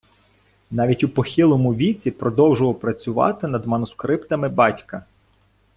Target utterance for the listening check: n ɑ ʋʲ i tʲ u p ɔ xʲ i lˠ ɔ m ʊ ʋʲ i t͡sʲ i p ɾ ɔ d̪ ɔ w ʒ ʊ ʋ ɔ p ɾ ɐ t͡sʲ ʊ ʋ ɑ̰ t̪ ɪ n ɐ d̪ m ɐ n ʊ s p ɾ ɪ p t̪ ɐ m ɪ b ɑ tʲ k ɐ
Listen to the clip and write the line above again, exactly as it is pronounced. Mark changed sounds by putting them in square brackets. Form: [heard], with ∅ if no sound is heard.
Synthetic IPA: n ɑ ʋʲ i tʲ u p ɔ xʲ i lˠ ɔ m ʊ ʋʲ i t͡sʲ i p ɾ ɔ d̪ ɔ w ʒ ʊ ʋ ɔ p ɾ ɐ t͡sʲ ʊ ʋ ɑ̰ t̪ ɪ n ɐ d̪ m ɐ n ʊ s [k] ɾ ɪ p t̪ ɐ m ɪ b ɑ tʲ k ɐ